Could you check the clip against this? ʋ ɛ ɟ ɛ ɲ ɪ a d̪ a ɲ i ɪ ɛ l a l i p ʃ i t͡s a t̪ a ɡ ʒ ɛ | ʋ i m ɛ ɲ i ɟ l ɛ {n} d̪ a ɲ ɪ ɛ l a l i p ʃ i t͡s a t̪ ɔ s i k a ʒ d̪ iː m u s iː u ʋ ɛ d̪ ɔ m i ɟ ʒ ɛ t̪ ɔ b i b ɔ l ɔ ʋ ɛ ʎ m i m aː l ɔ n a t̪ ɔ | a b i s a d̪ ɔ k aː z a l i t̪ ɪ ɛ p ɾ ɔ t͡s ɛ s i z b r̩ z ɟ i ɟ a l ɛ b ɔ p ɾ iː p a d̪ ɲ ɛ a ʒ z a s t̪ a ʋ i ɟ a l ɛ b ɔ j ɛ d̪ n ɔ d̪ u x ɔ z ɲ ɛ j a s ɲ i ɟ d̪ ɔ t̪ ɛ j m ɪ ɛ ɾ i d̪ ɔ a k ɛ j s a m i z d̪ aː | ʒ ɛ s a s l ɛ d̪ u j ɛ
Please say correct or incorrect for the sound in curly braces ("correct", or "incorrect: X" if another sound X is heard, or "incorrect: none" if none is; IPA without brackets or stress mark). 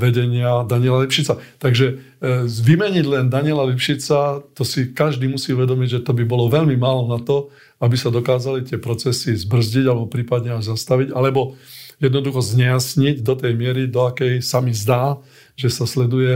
correct